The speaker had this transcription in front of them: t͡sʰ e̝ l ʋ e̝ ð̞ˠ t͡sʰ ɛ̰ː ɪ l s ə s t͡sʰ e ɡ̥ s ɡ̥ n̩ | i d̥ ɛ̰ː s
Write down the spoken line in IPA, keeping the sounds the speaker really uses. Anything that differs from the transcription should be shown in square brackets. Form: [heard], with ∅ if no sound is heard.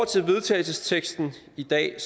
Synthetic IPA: t͡sʰ e̝ l ʋ e̝ ð̞ˠ t͡sʰ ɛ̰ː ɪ l s ə s t͡sʰ e ɡ̥ s [d̥] n̩ | i d̥ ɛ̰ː s